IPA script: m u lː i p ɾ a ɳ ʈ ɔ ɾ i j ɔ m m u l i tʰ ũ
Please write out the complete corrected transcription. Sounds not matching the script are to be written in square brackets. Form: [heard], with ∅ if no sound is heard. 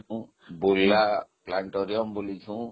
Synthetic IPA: [b] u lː [a] p [l] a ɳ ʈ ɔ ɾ i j ɔ m [b] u l i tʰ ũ

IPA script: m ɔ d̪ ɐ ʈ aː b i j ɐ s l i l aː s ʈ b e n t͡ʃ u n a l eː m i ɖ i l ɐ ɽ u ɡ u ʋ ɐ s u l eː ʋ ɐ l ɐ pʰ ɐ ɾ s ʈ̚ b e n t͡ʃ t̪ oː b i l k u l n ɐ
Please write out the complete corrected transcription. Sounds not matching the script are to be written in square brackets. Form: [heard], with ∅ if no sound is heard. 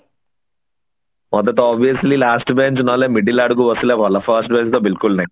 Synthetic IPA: m ɔ d̪ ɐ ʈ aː b i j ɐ s l i l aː s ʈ b e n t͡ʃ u n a l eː m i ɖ i l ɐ ɽ u ɡ u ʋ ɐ s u l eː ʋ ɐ l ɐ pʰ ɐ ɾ s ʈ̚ b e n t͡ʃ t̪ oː b i l k u l n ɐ

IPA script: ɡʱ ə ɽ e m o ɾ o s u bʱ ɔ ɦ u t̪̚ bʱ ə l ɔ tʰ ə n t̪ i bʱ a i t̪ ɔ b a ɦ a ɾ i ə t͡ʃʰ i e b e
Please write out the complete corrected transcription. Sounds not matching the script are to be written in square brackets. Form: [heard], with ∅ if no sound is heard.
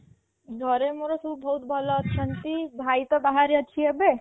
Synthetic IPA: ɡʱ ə [ɾ] e m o ɾ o s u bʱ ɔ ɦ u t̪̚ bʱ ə l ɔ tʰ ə n t̪ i bʱ a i t̪ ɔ b a ɦ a ɾ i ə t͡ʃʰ i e b e

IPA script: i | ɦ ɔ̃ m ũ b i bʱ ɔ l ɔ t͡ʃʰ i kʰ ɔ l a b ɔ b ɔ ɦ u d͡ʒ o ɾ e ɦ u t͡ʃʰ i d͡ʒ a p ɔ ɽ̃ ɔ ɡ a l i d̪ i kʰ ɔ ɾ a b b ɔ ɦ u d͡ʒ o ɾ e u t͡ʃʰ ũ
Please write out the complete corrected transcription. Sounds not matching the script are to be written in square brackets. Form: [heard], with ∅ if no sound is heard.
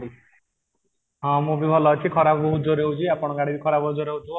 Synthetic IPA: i | ɦ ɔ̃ m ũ b i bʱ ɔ l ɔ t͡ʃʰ i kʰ ɔ [ɾ] a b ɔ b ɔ ɦ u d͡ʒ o ɾ e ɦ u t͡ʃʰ i [∅] a p ɔ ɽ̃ ɔ ɡ a [ɽ] i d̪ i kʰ ɔ ɾ a b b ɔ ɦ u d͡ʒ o ɾ e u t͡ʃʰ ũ

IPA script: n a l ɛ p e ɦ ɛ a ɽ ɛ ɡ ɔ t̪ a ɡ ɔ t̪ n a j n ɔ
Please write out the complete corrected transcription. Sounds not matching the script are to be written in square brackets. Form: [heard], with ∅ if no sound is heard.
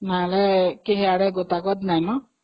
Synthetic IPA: n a l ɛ [k] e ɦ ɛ a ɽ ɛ ɡ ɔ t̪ a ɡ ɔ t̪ n a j n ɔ

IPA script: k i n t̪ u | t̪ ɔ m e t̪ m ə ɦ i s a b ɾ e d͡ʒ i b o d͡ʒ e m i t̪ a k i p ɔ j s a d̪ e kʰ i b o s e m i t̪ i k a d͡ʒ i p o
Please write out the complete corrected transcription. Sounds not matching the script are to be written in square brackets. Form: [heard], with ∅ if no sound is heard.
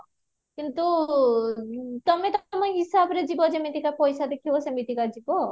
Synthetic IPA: k i n t̪ u | t̪ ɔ m e t̪ m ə ɦ i s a b ɾ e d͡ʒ i b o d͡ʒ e m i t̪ [i] k [a] p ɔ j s a d̪ e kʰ i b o s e m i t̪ i k a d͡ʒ i [b] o

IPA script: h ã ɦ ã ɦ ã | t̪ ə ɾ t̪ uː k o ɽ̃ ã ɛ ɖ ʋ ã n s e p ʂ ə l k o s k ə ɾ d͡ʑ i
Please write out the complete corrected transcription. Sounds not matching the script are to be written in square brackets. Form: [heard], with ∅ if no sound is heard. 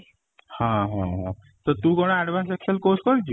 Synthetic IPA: h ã ɦ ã ɦ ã | t̪ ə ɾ t̪ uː k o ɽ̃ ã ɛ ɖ ʋ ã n s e [k] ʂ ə l k o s k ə ɾ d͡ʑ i

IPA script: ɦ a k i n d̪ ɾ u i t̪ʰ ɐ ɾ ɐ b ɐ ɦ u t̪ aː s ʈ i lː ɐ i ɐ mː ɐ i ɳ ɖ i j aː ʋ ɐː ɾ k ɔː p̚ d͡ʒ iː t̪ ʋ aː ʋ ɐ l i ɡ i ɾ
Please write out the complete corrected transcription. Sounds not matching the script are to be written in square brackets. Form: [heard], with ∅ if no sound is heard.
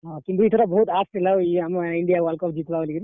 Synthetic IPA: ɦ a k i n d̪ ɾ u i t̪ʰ ɐ ɾ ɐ b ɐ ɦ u t̪ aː s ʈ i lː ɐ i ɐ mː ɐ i ɳ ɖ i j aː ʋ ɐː [l] k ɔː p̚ d͡ʒ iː t̪ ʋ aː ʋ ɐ l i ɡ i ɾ

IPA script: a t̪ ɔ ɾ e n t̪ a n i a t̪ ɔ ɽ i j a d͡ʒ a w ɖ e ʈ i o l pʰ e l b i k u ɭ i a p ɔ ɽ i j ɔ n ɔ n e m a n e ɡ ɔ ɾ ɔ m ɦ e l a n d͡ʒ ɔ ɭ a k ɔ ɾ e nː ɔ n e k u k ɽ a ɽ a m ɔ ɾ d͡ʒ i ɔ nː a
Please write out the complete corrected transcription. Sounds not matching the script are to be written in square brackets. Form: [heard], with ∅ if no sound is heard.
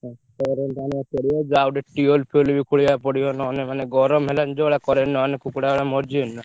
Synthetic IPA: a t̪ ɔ ɾ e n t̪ a n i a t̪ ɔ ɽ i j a d͡ʒ a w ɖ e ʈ i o l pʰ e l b i k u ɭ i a p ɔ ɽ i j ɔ n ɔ n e m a n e ɡ ɔ ɾ ɔ m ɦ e l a n d͡ʒ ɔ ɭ a k ɔ ɾ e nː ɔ n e k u k ɽ a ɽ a m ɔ ɾ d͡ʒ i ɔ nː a

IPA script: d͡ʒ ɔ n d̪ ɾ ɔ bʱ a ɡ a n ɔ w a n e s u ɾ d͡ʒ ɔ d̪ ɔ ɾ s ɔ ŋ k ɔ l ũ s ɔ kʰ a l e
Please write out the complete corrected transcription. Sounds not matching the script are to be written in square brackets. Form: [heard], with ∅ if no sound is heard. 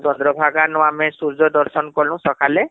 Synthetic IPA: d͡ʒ ɔ n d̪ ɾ ɔ bʱ a ɡ a n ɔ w a [m] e s u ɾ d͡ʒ ɔ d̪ ɔ ɾ s ɔ [n] k ɔ l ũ s ɔ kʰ a l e

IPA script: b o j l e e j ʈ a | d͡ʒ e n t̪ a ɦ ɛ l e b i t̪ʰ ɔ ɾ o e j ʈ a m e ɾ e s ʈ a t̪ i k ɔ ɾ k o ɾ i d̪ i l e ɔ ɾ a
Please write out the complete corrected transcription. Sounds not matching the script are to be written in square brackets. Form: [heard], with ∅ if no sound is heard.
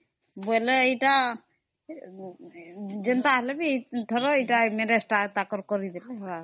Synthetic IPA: b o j l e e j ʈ a | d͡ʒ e n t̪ a ɦ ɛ l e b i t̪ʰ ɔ ɾ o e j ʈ a m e ɾ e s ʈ a t̪ [a] k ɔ ɾ k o ɾ i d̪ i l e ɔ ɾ a

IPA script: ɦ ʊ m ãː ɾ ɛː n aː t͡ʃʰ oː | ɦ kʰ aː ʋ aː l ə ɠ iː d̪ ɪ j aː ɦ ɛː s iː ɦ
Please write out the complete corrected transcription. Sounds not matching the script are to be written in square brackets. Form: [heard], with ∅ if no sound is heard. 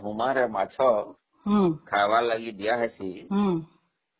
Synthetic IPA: ɦ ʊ m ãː ɾ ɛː [m] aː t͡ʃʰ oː | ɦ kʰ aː ʋ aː l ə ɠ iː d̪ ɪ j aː ɦ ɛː s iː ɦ

